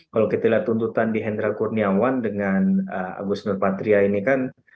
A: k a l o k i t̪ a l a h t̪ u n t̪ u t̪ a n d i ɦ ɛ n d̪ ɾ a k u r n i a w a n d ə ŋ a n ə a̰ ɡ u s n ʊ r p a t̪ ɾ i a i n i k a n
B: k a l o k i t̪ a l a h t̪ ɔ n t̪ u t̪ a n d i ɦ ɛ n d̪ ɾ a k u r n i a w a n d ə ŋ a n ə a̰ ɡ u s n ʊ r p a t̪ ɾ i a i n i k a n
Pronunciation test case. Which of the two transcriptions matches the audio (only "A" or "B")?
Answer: A